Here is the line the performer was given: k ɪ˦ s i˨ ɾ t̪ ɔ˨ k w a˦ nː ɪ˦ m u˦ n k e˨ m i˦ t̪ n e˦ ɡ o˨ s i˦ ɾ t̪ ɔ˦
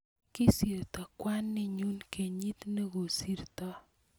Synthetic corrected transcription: k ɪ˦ s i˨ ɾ t̪ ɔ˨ k w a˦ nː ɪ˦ ɲ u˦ n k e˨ ɲ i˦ t̪ n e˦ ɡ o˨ s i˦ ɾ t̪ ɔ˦